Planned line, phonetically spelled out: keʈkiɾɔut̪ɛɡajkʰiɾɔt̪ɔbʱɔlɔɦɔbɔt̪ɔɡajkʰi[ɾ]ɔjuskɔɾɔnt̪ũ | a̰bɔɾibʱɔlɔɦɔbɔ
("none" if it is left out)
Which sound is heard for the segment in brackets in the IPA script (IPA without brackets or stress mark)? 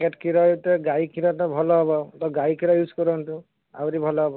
ɾ